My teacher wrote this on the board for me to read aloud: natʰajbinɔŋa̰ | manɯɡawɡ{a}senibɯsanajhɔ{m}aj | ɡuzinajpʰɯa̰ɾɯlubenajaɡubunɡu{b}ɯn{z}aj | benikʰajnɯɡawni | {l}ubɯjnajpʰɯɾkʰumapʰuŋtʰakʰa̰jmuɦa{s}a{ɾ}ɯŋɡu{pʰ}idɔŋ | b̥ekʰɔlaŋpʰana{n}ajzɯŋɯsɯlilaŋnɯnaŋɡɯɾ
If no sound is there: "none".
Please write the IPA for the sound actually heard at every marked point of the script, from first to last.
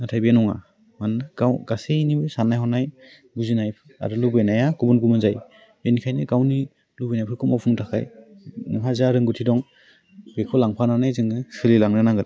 a, n, m, z, l, z, ɾ, tʰ, n

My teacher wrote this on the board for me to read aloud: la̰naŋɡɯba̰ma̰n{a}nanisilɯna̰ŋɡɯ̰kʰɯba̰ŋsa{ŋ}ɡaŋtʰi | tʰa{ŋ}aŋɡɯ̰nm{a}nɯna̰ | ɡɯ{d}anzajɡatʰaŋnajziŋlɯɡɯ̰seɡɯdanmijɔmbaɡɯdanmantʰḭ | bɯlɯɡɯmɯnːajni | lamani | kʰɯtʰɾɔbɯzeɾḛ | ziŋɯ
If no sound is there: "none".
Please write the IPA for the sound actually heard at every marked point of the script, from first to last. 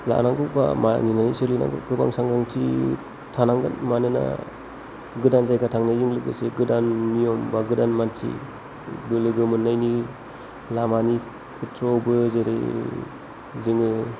i, ŋ, n, a, d

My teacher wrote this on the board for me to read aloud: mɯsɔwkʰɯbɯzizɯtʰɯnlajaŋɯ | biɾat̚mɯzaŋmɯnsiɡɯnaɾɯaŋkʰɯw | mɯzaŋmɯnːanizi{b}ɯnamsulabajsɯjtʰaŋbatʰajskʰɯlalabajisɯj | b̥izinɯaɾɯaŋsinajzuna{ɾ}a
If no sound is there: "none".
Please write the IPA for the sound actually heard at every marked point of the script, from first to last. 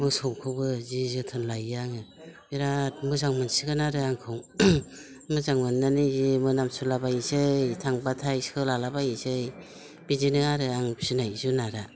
m, ɾ

